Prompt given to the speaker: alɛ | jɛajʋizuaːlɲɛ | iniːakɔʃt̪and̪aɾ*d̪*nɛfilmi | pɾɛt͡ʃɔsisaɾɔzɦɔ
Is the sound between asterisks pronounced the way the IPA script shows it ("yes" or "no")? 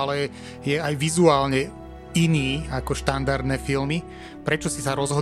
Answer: yes